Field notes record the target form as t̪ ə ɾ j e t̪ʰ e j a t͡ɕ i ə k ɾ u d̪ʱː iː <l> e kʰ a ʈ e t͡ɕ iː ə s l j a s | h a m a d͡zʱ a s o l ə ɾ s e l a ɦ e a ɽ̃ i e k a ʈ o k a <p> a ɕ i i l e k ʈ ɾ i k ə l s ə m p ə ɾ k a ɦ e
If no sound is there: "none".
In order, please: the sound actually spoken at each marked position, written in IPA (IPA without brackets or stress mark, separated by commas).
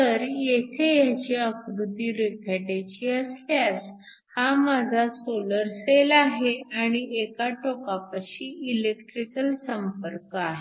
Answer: ɾ, p